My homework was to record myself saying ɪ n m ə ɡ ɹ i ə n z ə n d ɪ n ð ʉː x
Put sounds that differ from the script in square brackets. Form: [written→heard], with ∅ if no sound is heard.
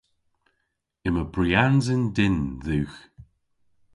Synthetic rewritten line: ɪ [n→∅] m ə [ɡ→b] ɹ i [ə→a] n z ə n d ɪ n ð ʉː x